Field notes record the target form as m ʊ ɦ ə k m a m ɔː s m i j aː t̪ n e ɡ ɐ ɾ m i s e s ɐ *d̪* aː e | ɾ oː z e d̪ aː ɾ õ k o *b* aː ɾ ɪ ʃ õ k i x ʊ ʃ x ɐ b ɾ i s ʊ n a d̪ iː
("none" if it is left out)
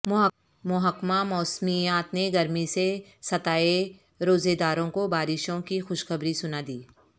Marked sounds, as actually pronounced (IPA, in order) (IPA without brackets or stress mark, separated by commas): t̪, b